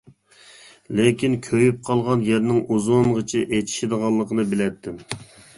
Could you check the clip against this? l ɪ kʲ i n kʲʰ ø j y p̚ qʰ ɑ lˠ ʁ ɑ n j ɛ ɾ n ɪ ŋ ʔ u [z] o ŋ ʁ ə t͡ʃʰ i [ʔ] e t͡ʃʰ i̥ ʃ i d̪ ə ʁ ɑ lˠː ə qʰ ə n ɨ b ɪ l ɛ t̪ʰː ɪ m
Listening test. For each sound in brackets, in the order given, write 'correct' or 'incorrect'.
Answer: correct, correct

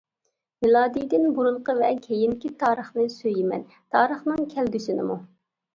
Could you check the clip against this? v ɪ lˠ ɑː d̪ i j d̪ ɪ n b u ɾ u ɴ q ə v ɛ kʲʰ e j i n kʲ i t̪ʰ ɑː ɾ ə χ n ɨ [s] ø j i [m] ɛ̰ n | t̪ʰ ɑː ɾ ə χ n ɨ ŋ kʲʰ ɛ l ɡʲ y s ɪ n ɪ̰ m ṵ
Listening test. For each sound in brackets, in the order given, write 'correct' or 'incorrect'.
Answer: correct, correct

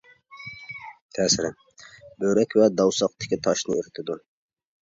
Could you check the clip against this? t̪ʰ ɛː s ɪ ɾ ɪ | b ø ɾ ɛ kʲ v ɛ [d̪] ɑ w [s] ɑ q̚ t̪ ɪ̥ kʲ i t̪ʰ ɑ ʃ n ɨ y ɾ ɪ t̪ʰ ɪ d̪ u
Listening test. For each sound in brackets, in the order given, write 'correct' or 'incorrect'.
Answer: correct, correct

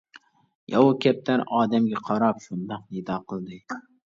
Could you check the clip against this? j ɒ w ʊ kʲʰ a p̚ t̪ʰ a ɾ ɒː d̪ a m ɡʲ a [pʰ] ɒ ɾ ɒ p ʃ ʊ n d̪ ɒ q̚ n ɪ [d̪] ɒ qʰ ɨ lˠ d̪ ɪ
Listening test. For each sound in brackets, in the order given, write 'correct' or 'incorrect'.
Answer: incorrect: qʰ, correct

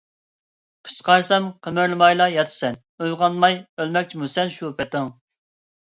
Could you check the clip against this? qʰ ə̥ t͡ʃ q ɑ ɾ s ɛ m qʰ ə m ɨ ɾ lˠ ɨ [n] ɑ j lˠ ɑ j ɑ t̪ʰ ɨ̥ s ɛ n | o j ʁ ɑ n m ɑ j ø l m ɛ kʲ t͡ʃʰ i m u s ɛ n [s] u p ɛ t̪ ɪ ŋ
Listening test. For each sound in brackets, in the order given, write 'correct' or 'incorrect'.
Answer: incorrect: m, incorrect: ʃ

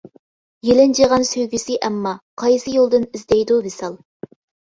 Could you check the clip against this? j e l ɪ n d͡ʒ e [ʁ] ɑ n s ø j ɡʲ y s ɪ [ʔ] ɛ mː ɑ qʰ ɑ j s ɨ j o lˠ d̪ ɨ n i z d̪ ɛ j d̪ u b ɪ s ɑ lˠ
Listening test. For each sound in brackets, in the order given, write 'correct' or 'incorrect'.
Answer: correct, correct

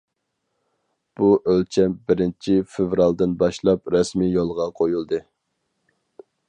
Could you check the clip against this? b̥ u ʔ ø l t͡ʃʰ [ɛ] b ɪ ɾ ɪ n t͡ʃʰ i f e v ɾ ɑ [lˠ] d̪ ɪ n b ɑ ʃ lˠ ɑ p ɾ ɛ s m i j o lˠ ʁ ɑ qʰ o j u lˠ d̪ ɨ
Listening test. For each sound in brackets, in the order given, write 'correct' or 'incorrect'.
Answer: correct, correct

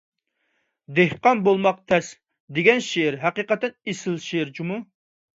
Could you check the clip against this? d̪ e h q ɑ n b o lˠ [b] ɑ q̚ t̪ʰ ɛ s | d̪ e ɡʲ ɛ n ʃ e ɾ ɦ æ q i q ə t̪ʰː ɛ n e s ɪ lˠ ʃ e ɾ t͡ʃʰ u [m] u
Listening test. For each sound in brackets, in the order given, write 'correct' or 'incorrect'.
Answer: incorrect: m, correct

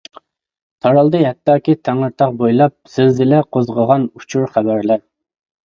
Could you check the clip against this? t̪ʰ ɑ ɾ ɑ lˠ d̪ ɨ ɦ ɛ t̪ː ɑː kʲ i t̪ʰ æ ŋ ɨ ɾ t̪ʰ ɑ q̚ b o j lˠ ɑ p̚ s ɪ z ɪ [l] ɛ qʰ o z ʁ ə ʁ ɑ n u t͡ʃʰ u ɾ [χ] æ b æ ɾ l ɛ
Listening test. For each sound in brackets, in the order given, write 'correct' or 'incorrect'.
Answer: correct, correct

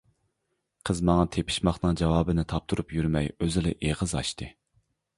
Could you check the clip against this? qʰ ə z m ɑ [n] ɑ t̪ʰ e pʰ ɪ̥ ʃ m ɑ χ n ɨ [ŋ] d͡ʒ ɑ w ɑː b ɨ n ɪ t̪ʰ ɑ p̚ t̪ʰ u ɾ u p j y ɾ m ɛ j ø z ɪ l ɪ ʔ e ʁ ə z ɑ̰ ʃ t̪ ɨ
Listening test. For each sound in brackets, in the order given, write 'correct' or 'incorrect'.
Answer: incorrect: ŋ, correct

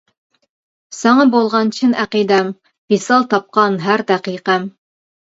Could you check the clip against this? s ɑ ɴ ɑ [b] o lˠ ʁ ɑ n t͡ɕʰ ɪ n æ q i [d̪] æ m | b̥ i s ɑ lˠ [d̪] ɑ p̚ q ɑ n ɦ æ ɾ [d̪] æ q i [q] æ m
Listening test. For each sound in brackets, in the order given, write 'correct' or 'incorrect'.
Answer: correct, correct, incorrect: t̪, correct, correct

